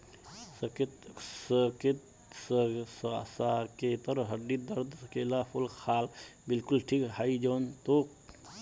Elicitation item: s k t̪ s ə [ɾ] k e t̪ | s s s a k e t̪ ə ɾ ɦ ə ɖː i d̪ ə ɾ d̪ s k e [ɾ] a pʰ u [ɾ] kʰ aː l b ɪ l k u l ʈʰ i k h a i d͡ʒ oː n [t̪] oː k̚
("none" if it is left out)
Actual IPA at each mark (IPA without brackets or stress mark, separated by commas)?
none, l, l, t̪